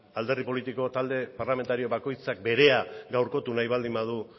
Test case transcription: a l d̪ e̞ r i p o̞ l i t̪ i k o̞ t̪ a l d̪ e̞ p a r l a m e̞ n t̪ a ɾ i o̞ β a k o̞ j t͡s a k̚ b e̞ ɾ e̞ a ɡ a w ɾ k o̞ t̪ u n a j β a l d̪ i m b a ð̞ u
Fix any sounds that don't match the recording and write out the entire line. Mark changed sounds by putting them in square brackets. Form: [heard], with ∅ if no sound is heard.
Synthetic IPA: a l d̪ e̞ r i p o̞ l i t̪ i k o̞ t̪ a l d̪ e̞ p a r l a m e̞ n t̪ a ɾ i o̞ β a k o̞ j t͡s a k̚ b e̞ ɾ e̞ a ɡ a w ɾ k o̞ t̪ u n a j β a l d̪ i m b a ð̞ u

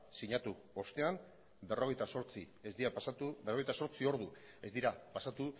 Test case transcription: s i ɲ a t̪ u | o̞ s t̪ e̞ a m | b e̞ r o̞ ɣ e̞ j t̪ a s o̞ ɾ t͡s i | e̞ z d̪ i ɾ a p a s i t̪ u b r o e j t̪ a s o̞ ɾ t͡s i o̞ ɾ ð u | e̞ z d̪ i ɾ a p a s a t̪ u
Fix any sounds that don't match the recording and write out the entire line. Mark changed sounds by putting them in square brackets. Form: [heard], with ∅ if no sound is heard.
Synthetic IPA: s i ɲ a t̪ u | o̞ s t̪ e̞ a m | b e̞ r o̞ ɣ e̞ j t̪ a s o̞ ɾ t͡s i | e̞ z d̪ i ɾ a p a s [a] t̪ u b r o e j t̪ a s o̞ ɾ t͡s i o̞ ɾ ð u | e̞ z d̪ i ɾ a p a s a t̪ u

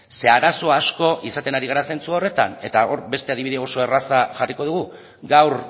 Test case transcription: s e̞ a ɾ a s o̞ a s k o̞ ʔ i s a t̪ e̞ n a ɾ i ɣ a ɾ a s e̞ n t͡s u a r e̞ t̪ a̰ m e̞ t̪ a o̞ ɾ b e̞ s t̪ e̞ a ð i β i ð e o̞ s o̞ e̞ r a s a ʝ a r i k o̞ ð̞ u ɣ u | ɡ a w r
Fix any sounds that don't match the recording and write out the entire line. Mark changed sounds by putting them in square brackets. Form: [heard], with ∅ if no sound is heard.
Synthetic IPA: s e̞ a ɾ a s o̞ a s k o̞ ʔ i s a t̪ e̞ n a ɾ i ɣ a ɾ a s e̞ n t͡s u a r e̞ t̪ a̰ [n] e̞ t̪ a o̞ ɾ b e̞ s t̪ e̞ a ð i β i ð e o̞ s o̞ e̞ r a s a ʝ a r i k o̞ ð̞ u ɣ u | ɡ a w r

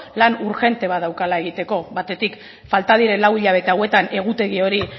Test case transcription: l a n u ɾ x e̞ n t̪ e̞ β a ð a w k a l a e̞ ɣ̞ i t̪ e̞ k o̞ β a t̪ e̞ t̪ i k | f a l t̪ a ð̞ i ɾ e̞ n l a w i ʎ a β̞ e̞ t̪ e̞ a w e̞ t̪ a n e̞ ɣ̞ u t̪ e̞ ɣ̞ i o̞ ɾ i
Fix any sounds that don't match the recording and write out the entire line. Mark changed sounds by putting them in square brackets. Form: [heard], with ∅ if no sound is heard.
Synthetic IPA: l a n u ɾ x e̞ n t̪ e̞ β a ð a w k a l a e̞ ɣ̞ i t̪ e̞ k o̞ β a t̪ e̞ t̪ i k | f a l t̪ a ð̞ i ɾ e̞ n l a w i ʎ a β̞ e̞ t̪ e̞ a w e̞ t̪ a n e̞ ɣ̞ u t̪ e̞ ɣ̞ i o̞ ɾ i

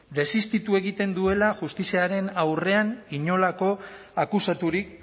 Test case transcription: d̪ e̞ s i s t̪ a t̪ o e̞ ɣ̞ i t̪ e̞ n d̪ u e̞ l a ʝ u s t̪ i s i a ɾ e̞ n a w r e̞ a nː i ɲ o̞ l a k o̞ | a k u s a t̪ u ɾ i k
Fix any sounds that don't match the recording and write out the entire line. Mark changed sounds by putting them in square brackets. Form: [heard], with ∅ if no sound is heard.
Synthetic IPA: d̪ e̞ s i s t̪ [i] t̪ [u] e̞ ɣ̞ i t̪ e̞ n d̪ u e̞ l a ʝ u s t̪ i s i a ɾ e̞ n a w r e̞ a [n] i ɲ o̞ l a k o̞ | a k u s a t̪ u ɾ i k

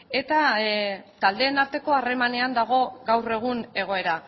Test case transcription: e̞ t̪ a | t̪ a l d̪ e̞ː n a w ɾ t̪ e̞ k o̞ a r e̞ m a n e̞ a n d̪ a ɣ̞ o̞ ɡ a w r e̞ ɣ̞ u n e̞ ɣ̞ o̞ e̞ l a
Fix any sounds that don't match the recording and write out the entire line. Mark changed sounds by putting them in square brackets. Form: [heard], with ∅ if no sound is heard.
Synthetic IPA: e̞ t̪ a | t̪ a l d̪ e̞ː n a [∅] ɾ t̪ e̞ k o̞ a r e̞ m a n e̞ a n d̪ a ɣ̞ o̞ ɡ a w r e̞ ɣ̞ u n e̞ ɣ̞ o̞ e̞ [ɾ] a

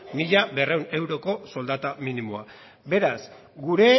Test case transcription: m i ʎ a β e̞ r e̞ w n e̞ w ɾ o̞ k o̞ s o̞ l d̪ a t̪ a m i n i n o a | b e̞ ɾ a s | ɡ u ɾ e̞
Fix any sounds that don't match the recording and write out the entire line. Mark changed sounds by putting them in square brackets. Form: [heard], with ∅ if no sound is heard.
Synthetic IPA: m i ʎ a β e̞ r e̞ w n e̞ w ɾ o̞ k o̞ s o̞ l d̪ a t̪ a m i n i [m] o a | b e̞ ɾ a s | ɡ u ɾ e̞

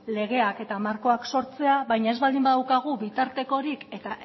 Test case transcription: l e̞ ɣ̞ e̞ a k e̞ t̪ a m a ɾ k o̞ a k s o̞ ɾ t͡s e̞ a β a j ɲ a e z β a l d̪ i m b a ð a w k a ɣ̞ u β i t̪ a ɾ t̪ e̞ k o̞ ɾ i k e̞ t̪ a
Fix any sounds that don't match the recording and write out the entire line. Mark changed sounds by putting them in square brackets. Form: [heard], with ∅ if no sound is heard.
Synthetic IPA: l e̞ ɣ̞ e̞ a k e̞ t̪ a m a ɾ k o̞ a k s o̞ ɾ t͡s e̞ a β a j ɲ a e z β a l d̪ i m b a ð a w k a ɣ̞ u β i t̪ a ɾ t̪ e̞ k o̞ ɾ i k e̞ t̪ a

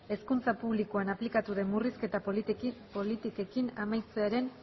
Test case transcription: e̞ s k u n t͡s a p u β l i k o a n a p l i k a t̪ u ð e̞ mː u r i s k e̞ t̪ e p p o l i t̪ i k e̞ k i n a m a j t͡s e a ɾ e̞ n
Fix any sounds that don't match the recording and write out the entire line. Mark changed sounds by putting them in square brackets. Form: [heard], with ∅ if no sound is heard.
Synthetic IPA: e̞ s k u n t͡s a p u β l i k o a n a p l i k a t̪ u ð e̞ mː u r i s k e̞ t̪ [a] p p o l i t̪ i k e̞ k i n a m a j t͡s e a ɾ e̞ n

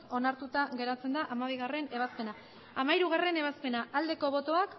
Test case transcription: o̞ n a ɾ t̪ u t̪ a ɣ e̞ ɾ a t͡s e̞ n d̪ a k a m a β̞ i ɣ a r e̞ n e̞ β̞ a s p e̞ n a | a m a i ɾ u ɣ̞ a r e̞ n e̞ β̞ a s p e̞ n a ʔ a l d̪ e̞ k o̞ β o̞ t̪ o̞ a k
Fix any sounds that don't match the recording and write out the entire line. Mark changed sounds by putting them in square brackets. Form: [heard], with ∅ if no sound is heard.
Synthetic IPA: o̞ n a ɾ t̪ u t̪ a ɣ e̞ ɾ a t͡s e̞ n d̪ a [ʔ] a m a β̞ i ɣ a r e̞ n e̞ β̞ a s p e̞ n a | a m a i ɾ u ɣ̞ a r e̞ n e̞ β̞ a s p e̞ n a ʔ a l d̪ e̞ k o̞ β o̞ t̪ o̞ a k

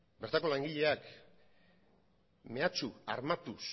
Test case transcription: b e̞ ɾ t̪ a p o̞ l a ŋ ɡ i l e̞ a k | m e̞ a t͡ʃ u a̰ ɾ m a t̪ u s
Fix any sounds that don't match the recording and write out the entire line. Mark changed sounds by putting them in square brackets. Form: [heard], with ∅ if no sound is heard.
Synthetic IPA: b e̞ ɾ t̪ a [k] o̞ l a ŋ ɡ i [ʎ] e̞ a k | m e̞ a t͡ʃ u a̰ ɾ m a t̪ u s

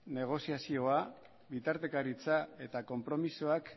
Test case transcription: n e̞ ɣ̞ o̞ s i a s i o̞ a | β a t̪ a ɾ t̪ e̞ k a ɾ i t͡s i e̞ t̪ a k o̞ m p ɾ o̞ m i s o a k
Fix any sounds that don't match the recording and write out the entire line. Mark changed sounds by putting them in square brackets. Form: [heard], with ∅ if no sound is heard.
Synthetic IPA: n e̞ ɣ̞ o̞ s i a s i o̞ a | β [i] t̪ a ɾ t̪ e̞ k a ɾ i t͡s [a] e̞ t̪ a k o̞ m p ɾ o̞ m i s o a k

